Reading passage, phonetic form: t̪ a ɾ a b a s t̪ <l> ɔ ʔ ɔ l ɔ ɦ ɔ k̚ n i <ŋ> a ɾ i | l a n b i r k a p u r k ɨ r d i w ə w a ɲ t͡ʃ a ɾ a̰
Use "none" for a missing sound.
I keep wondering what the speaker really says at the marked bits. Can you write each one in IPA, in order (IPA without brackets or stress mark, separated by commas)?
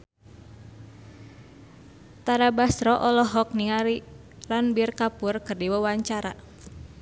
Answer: ɾ, ŋ